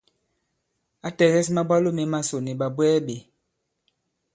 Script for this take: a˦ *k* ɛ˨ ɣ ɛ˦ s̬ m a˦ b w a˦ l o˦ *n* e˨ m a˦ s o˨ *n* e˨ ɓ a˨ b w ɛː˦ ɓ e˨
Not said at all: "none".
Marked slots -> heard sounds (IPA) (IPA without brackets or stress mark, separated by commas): t, m, n